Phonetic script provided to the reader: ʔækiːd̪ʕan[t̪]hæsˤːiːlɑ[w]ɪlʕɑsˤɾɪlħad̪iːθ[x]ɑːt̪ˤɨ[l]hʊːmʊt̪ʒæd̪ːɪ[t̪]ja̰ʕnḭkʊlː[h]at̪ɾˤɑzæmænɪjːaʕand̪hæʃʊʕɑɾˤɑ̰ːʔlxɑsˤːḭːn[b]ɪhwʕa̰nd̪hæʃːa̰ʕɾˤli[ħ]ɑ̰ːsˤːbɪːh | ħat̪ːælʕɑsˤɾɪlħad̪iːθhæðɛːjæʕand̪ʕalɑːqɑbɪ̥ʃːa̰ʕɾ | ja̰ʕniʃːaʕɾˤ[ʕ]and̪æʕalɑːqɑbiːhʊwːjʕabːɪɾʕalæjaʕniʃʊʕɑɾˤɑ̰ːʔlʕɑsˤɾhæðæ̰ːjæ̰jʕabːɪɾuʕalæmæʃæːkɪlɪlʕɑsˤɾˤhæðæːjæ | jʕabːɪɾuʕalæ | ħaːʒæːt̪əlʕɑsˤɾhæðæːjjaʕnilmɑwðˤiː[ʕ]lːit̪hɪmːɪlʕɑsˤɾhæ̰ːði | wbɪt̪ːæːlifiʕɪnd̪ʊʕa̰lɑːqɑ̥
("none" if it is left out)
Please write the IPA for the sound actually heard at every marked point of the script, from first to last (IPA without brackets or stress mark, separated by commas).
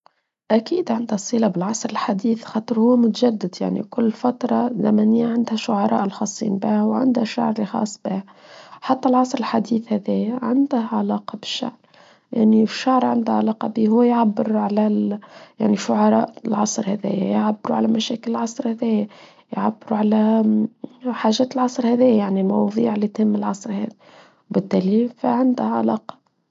d̪, b, x, ɾ, d̪, f, b, x, ʕ, ʕ